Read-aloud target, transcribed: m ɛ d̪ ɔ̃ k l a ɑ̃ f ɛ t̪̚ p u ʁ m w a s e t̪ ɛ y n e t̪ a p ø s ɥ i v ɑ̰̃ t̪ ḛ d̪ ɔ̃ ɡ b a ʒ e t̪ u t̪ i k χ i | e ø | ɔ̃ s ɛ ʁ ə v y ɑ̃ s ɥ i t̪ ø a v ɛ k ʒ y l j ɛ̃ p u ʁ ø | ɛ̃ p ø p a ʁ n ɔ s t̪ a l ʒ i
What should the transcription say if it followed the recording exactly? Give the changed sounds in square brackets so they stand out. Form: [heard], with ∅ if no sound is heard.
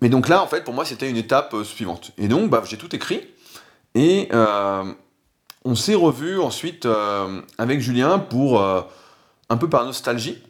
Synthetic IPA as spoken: m ɛ d̪ ɔ̃ k l a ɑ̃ f ɛ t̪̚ p u ʁ m w a s e t̪ ɛ y n e t̪ a p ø s ɥ i v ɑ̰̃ t̪ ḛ d̪ ɔ̃ [k] b a ʒ e t̪ u t̪ [e] k χ i | e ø | ɔ̃ s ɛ ʁ ə v y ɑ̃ s ɥ i t̪ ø a v ɛ k ʒ y l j ɛ̃ p u ʁ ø | ɛ̃ p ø p a ʁ n ɔ s t̪ a l ʒ i